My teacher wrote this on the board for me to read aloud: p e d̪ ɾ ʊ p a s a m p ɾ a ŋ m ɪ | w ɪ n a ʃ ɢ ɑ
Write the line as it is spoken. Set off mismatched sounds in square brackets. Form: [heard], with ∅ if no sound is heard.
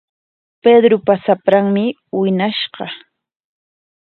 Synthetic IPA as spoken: p e d̪ ɾ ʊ p a s a [∅] p ɾ a ŋ m ɪ | w ɪ n a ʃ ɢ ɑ